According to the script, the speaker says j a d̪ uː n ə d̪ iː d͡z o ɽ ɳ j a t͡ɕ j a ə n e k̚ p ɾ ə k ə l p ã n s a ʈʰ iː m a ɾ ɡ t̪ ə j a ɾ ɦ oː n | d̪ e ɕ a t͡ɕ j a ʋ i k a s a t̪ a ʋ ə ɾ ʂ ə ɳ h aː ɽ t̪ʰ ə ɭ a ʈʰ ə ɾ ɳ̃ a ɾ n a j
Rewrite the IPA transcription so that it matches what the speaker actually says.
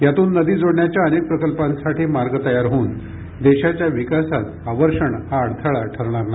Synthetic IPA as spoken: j a t̪ uː nː ə d̪ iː d͡z o ɽ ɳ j a t͡ɕ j a ə n e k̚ p ɾ ə k ə l p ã n s a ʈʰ iː m a ɾ ɡ t̪ ə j a ɾ ɦ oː n | d̪ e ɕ a t͡ɕ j a ʋ i k a s a t̪ a ʋ ə ɾ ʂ ə ɳ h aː ɽ t̪ʰ ə ɭ a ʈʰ ə ɾ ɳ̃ a ɾ n a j